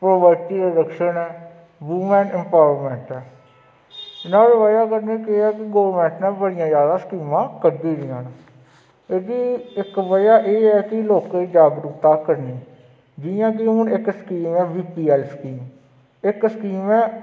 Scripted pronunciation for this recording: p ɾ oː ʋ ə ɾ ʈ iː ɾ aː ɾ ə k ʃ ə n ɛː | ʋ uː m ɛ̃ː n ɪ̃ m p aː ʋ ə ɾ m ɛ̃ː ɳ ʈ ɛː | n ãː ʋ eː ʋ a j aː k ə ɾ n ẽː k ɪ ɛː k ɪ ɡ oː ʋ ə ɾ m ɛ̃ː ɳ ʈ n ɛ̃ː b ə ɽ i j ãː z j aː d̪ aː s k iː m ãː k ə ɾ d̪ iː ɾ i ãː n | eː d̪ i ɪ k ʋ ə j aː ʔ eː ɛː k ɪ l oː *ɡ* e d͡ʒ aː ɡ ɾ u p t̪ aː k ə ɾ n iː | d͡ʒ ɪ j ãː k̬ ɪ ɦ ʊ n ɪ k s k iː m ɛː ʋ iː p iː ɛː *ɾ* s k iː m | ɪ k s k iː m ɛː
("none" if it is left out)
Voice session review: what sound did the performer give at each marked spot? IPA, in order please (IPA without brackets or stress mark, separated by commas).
k, l